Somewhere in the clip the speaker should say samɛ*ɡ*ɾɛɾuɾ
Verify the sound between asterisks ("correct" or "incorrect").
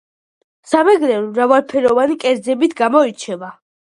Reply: correct